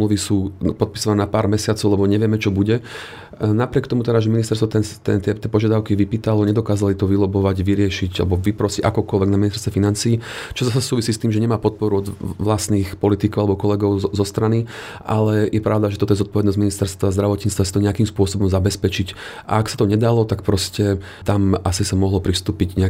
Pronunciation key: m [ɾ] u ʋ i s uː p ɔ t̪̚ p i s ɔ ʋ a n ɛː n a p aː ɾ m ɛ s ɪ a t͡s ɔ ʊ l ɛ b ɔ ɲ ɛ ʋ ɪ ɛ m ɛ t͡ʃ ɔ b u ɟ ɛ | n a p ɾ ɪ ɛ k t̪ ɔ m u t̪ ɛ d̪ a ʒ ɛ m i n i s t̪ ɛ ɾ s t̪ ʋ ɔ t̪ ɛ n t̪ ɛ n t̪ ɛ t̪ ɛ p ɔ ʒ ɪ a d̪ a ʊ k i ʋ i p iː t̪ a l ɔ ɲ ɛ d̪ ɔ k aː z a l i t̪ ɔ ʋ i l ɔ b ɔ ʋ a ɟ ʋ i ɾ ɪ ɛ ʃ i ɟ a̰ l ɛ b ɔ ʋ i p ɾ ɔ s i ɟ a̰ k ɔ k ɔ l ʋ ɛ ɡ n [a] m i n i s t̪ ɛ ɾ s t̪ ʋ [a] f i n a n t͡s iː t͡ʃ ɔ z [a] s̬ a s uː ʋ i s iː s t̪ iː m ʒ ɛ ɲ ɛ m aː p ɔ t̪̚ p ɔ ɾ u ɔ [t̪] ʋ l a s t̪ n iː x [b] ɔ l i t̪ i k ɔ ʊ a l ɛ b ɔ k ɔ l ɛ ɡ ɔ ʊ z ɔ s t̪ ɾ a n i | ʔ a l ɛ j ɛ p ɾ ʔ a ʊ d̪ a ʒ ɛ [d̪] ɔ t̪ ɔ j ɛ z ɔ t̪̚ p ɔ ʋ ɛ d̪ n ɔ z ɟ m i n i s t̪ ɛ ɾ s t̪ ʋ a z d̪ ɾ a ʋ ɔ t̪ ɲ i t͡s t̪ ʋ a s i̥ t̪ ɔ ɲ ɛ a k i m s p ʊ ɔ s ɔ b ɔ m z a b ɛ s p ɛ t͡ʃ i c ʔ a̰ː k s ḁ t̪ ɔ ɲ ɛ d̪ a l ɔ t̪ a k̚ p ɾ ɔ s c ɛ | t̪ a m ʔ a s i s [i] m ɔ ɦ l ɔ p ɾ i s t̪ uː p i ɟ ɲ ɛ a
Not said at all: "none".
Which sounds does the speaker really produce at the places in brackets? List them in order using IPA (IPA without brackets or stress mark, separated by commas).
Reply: l, a, ɛ, a, d̪, p, t̪, a